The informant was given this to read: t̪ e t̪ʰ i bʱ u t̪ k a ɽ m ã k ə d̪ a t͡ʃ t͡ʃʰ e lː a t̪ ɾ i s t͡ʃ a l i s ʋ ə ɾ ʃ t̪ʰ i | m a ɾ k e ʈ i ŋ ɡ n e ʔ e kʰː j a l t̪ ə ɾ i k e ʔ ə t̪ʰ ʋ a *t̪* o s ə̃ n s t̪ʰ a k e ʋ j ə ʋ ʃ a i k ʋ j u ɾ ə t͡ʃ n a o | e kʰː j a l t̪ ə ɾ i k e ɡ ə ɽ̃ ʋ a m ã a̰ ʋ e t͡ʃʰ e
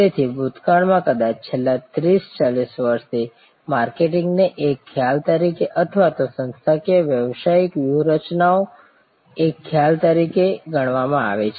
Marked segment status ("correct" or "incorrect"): correct